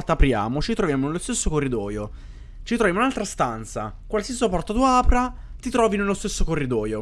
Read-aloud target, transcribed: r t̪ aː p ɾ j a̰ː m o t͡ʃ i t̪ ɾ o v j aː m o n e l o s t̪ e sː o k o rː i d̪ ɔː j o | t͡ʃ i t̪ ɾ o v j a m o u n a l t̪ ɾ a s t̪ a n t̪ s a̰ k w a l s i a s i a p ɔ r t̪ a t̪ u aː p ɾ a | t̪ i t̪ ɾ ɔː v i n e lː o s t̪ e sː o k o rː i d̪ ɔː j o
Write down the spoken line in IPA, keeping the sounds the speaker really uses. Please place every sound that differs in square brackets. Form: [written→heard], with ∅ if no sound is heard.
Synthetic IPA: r t̪ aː p ɾ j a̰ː m o t͡ʃ i t̪ ɾ o v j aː m o n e l o s t̪ e sː o k o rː i d̪ ɔː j o | t͡ʃ i t̪ ɾ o v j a m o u n a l t̪ ɾ a s t̪ a n t̪ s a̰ k w a l s i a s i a p ɔ r t̪ a t̪ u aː p ɾ a | t̪ i t̪ ɾ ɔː v i n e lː o s t̪ e sː o k o rː i d̪ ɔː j o